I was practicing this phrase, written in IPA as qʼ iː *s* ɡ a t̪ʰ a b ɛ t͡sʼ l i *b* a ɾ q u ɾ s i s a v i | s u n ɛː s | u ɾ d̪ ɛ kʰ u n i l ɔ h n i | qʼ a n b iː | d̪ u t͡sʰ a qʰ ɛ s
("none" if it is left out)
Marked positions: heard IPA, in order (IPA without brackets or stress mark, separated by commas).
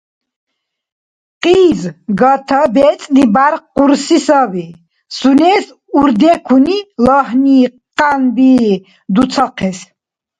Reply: z, b